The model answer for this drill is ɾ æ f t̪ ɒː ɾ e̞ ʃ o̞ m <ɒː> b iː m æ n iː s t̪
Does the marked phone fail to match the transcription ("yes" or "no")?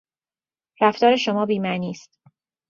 no